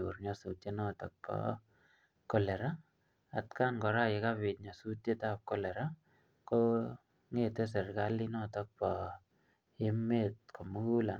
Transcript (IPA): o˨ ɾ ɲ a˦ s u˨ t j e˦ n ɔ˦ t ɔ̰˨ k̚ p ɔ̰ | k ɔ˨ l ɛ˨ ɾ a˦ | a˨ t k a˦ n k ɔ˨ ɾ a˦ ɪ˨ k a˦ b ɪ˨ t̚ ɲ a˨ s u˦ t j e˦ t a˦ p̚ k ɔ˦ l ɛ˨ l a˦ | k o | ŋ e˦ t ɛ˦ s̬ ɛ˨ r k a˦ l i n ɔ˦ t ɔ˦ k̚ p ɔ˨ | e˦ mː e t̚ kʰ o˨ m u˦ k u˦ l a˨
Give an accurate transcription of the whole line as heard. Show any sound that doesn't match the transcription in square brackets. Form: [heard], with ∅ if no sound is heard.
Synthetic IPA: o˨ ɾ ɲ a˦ s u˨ t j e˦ n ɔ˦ t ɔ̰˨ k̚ p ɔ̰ | k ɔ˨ l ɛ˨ ɾ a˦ | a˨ t k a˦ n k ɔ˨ ɾ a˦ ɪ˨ k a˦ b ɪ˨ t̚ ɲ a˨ s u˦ t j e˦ t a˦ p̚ k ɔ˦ l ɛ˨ [ɾ] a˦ | k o | ŋ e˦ t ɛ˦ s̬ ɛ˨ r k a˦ l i n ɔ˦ t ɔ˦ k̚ p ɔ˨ | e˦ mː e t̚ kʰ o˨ m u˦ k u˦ l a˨